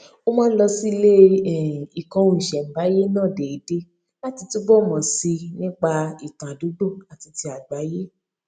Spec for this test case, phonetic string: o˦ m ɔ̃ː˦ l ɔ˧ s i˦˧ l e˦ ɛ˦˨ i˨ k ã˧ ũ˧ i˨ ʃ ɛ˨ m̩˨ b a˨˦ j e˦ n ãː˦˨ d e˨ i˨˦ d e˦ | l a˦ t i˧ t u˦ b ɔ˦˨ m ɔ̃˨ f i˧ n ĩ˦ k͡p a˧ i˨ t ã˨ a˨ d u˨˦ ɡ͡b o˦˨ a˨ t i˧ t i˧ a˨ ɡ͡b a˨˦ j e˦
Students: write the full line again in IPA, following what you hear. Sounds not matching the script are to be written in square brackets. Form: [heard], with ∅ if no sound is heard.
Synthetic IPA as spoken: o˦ m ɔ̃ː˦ l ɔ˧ s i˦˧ l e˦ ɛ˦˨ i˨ k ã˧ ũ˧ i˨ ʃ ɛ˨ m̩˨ b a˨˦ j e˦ n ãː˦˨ d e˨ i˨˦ d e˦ | l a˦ t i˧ t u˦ b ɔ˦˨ m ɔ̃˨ [s] i˧ n ĩ˦ k͡p a˧ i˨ t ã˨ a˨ d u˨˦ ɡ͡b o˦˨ a˨ t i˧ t i˧ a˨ ɡ͡b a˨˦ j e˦